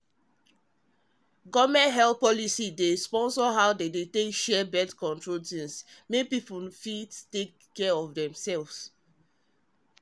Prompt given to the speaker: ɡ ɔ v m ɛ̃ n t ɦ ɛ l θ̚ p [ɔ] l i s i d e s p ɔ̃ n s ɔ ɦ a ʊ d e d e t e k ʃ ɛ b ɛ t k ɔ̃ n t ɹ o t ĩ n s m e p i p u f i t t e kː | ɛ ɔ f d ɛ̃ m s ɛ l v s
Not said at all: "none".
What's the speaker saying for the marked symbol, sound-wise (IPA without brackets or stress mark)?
ɔ